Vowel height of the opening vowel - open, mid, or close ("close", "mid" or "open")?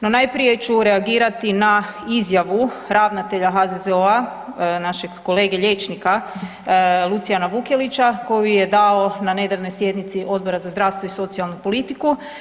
mid